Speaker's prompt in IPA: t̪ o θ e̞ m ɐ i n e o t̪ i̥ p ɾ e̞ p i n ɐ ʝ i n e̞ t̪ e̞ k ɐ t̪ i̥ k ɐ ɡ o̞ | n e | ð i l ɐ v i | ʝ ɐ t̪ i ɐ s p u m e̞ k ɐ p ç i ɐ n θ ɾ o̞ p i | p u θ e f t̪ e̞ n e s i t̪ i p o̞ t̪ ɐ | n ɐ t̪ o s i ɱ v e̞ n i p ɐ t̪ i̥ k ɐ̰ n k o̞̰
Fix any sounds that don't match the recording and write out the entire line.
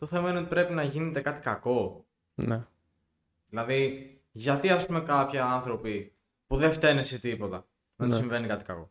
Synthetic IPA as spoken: t̪ o θ e̞ m ɐ i n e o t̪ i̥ p ɾ e̞ p i n ɐ ʝ i n e̞ t̪ e̞ k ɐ t̪ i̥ k ɐ k o̞ | n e | ð i l ɐ ð i | ʝ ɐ t̪ i ɐ s p u m e̞ k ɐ p ç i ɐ n θ ɾ o̞ p i | p u ð e f t̪ e̞ n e s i t̪ i p o̞ t̪ ɐ | n ɐ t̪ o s i ɱ v e̞ n i k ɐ t̪ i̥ k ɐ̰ k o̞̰